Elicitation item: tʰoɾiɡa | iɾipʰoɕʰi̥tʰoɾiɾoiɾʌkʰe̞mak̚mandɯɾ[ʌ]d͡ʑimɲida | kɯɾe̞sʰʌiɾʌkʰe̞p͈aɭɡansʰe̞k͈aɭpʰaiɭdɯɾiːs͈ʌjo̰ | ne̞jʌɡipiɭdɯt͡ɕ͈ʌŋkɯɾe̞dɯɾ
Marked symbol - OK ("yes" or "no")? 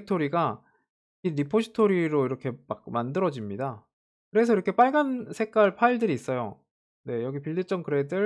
yes